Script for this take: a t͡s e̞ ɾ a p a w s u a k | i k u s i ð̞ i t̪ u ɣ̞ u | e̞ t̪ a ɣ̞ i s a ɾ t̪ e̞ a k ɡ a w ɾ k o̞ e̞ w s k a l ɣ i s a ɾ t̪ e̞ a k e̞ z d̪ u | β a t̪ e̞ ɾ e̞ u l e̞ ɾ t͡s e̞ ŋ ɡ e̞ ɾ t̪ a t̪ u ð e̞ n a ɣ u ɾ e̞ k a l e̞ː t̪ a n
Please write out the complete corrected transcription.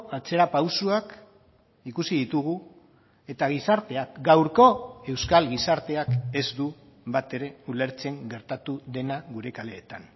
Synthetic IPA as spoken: a t͡s e̞ ɾ a p a w s u a k | i k u s i ð̞ i t̪ u ɣ̞ u | e̞ t̪ a ɣ̞ i s a ɾ t̪ e̞ a k ɡ a w ɾ k o̞ e̞ w s k a l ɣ i s a ɾ t̪ e̞ a k e̞ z d̪ u | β a t̪ e̞ ɾ e̞ u l e̞ ɾ t͡s e̞ ŋ ɡ e̞ ɾ t̪ a t̪ u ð e̞ n a ɣ u ɾ e̞ k a l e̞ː t̪ a n